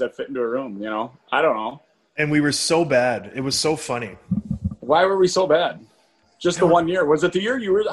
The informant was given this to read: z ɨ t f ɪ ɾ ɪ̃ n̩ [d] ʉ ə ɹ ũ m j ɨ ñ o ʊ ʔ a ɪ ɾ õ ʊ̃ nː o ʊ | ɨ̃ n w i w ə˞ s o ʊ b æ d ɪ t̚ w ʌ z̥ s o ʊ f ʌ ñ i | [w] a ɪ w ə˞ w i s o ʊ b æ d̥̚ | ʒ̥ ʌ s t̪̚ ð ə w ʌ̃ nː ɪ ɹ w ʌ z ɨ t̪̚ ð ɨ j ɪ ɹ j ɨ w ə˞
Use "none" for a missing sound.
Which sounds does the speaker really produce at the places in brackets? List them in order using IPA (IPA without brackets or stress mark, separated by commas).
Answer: t, w